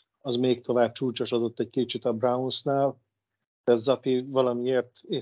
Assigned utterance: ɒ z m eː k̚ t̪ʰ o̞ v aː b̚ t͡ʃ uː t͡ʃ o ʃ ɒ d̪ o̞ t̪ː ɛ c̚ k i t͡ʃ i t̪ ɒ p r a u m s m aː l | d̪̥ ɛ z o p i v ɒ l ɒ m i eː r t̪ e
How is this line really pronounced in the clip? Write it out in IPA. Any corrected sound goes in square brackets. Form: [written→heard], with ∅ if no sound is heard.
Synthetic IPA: ɒ z m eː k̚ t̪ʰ o̞ v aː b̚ t͡ʃ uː t͡ʃ o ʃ ɒ d̪ o̞ t̪ː ɛ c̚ k i t͡ʃ i t̪ ɒ [p→b] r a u [m→n] s [m→n] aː l | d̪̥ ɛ z [o→ɒ] p i v ɒ l ɒ m i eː r t̪ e